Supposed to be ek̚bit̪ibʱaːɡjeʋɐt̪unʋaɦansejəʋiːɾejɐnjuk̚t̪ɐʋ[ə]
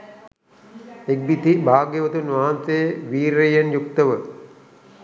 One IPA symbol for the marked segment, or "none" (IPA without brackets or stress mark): ə